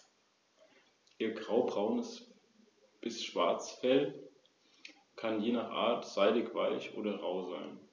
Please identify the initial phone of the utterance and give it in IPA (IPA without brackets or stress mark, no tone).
ʔ